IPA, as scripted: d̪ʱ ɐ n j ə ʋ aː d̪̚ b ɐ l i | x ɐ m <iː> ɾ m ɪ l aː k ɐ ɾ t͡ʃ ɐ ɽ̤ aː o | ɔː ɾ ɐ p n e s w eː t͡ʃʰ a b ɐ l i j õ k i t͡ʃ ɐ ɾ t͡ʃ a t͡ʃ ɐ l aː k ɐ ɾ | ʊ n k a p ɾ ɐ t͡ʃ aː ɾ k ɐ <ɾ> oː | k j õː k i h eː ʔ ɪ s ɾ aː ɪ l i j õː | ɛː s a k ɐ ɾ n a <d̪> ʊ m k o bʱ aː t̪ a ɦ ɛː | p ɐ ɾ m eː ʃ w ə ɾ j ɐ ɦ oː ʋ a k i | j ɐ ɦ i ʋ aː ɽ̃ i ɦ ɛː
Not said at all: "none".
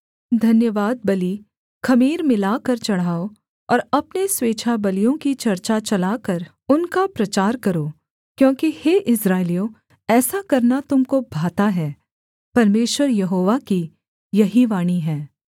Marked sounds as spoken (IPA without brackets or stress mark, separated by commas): iː, ɾ, t̪